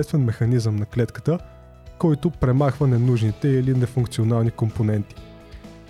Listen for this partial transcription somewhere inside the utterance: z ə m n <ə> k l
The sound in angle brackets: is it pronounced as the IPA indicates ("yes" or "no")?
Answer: no